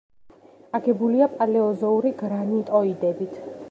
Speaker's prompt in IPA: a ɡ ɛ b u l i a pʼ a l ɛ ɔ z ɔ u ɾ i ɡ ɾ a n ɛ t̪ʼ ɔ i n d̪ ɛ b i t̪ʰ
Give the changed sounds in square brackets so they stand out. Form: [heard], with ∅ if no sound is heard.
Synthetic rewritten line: a ɡ ɛ b u l i a pʼ a l ɛ ɔ z ɔ u ɾ i ɡ ɾ a n [i] t̪ʼ ɔ i [∅] d̪ ɛ b i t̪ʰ